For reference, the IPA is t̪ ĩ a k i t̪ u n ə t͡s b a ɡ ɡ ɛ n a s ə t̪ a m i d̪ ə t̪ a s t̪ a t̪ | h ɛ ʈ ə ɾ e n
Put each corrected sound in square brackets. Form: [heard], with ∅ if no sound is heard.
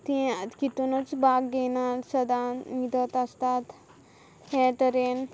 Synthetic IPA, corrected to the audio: t̪ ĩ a k i t̪ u n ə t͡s b a ɡ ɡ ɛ n a s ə [d̪] a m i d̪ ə t̪ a s t̪ a t̪ | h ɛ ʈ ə ɾ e n